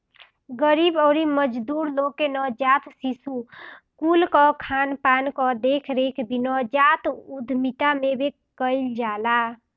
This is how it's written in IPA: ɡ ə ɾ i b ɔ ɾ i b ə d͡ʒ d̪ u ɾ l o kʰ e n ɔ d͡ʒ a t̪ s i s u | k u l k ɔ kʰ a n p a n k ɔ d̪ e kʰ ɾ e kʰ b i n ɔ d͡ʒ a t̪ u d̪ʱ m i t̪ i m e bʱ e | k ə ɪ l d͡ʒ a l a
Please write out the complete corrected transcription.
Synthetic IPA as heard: ɡ ə ɾ i b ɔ ɾ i m ə d͡ʒ d̪ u ɾ l o k e n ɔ d͡ʒ a t̪ s i s u | k u l k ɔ kʰ a n p a n k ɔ d̪ e kʰ ɾ e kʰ b i n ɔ d͡ʒ a t̪ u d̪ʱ m i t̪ a m e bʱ e | k ə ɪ l d͡ʒ a l a